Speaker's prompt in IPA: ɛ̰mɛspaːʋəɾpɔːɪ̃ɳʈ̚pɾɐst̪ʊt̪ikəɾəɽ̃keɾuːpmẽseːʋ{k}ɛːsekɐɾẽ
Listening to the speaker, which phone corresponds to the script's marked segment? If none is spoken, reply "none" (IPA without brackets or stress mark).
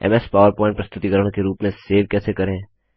k